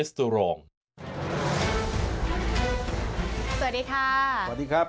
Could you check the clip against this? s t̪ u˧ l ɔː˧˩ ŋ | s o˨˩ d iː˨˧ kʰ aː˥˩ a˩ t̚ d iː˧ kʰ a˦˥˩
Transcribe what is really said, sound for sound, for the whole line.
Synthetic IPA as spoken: s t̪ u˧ ɾ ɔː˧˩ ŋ | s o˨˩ d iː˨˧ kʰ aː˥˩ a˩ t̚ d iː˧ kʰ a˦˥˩